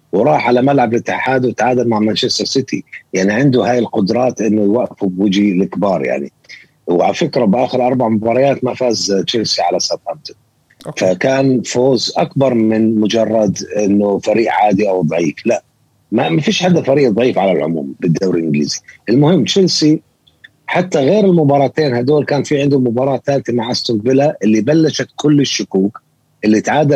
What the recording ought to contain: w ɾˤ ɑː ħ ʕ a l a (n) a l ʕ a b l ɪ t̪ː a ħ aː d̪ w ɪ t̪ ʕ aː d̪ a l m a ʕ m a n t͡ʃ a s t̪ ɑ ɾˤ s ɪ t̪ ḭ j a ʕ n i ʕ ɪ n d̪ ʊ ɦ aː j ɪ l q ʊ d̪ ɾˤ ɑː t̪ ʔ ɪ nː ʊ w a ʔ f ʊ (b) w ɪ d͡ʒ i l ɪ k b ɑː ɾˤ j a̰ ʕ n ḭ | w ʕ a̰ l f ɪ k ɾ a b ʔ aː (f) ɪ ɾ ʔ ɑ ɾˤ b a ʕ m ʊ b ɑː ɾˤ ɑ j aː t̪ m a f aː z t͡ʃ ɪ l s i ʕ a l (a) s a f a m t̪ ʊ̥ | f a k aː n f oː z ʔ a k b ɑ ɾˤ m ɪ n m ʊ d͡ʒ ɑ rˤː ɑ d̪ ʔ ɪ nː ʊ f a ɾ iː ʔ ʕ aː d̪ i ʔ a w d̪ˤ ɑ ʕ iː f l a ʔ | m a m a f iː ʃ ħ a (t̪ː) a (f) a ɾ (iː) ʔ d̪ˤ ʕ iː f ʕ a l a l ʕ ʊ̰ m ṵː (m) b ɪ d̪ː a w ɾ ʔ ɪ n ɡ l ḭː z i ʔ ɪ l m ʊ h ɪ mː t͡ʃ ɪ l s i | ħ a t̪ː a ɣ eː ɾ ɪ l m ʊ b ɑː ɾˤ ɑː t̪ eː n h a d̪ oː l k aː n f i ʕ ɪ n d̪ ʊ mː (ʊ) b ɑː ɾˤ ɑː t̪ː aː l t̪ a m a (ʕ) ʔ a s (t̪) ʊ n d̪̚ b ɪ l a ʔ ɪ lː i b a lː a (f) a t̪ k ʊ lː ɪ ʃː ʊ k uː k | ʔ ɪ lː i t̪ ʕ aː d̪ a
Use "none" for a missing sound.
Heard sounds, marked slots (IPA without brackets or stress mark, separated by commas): m, b, x, a, d̪ː, f, iː, m, ʊ, ʕ, t̪, ʃ